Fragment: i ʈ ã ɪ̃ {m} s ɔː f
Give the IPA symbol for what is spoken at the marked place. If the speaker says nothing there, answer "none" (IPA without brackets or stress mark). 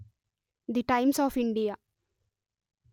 m